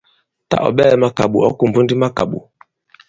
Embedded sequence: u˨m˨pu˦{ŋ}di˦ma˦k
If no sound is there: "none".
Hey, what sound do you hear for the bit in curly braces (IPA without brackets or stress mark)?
n